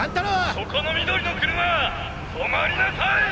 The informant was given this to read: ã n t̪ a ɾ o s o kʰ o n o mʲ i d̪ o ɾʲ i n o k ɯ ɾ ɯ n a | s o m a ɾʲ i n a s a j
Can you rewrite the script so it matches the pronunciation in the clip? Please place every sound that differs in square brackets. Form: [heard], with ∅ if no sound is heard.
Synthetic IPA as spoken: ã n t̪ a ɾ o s o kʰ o n o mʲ i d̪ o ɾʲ i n o k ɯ ɾ ɯ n a | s o m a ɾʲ i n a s a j